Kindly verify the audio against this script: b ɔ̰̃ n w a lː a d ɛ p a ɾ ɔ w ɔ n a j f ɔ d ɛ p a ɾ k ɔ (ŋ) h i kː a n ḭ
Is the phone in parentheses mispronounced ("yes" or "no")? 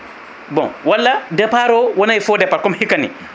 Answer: yes